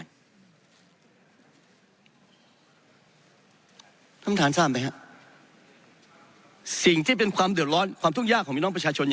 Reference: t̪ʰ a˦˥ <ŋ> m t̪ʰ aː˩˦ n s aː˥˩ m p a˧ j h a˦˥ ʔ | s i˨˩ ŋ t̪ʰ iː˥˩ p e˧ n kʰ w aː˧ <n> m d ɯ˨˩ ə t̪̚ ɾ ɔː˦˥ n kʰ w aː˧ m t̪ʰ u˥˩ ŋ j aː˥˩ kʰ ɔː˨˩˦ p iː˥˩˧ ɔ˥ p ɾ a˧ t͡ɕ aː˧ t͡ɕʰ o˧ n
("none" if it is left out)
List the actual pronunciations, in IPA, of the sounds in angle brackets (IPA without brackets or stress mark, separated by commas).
none, none